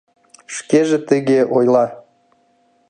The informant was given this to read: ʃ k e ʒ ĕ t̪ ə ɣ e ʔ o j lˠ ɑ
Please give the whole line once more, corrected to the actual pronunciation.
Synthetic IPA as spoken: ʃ k e ʒ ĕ t̪ ə ɣ e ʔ o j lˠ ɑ